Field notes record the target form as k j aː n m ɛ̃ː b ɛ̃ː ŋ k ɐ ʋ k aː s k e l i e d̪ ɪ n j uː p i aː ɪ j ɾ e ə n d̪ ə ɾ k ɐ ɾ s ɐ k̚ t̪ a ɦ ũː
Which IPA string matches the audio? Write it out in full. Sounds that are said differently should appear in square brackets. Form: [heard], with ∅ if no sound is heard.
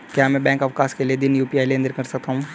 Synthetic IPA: k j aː [∅] m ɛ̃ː b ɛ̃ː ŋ k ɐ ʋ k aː s k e l i e d̪ ɪ n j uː p i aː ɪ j [l] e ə n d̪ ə ɾ k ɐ ɾ s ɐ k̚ t̪ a ɦ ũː